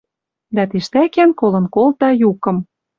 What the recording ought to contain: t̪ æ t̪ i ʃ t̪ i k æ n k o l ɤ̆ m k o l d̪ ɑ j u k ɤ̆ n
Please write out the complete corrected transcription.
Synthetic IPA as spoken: d̪ æ t̪ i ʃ t̪ æ k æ n k o l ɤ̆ n k o l t̪ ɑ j u k ɤ̆ m